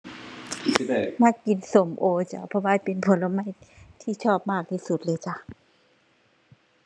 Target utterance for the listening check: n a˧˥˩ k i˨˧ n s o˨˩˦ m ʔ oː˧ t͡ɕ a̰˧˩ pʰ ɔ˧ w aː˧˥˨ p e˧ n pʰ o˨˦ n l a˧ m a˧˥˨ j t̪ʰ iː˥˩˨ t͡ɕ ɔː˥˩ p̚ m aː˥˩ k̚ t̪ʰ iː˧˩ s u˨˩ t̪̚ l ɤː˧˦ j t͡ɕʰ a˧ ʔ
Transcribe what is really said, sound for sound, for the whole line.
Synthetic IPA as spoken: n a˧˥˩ k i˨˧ n s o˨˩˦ m ʔ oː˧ t͡ɕ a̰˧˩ pʰ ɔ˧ w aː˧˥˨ p e˧ n pʰ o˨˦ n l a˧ m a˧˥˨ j t̪ʰ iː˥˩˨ t͡ɕʰ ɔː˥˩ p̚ m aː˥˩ k̚ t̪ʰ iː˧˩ s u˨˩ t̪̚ l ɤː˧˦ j t͡ɕ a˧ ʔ